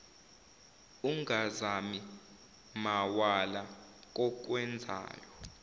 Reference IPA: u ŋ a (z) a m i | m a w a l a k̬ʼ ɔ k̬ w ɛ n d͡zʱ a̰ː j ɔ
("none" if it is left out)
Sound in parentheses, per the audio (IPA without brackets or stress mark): z